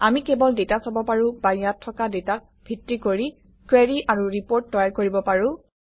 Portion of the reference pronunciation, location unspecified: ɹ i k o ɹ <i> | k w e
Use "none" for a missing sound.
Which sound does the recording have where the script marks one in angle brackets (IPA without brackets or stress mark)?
i